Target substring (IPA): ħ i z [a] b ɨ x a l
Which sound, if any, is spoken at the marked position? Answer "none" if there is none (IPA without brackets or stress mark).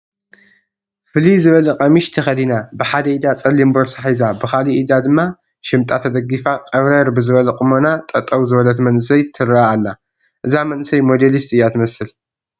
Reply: a